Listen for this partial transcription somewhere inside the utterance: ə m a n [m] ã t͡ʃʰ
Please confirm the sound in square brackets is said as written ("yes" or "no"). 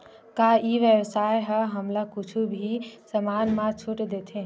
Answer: yes